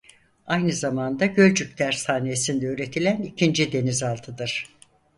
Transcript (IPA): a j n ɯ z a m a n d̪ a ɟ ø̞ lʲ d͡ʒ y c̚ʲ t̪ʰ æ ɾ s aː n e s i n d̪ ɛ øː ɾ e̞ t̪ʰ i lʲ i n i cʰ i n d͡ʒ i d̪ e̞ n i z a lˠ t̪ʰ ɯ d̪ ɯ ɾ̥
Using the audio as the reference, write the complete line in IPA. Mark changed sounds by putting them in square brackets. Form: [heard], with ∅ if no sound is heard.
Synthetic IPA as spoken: a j n ɯ z a m a n d̪ a ɟ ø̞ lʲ d͡ʒ y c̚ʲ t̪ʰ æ ɾ s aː n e s i n d̪ ɛ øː ɾ e̞ t̪ʰ i lʲ [æ] n i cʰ i n d͡ʒ i d̪ e̞ n i z a lˠ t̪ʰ ɯ d̪ ɯ ɾ̥